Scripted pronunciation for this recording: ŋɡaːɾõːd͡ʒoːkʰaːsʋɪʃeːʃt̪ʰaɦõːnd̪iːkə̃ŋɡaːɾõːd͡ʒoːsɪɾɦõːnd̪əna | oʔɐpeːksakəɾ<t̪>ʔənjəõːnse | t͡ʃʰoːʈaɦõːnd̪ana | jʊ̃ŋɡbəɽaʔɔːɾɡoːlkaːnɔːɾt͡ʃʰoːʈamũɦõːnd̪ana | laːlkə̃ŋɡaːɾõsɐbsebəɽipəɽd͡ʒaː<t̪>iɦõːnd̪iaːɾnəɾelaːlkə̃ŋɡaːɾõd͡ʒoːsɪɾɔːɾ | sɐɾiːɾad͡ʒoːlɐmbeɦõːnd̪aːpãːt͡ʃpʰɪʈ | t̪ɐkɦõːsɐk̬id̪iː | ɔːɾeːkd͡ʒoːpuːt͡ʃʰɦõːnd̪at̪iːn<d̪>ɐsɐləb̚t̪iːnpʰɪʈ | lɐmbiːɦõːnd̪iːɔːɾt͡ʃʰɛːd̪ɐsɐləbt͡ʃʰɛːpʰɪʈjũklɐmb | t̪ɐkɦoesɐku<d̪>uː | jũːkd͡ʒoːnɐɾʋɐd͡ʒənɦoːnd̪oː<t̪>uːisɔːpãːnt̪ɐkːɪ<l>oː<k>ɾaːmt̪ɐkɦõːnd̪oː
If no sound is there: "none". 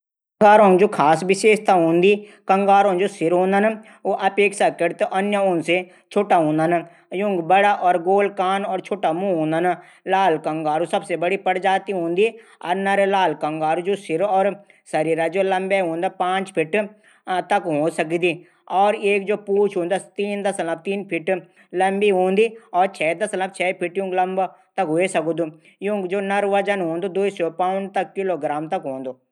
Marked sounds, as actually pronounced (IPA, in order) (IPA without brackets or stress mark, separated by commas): t̪, t̪, d̪, d̪, d̪, l, ɡ